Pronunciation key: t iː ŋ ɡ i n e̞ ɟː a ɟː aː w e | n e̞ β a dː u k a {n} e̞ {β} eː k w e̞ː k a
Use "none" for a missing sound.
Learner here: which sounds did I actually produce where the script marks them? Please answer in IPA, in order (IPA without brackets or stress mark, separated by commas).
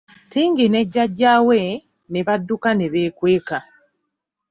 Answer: n, β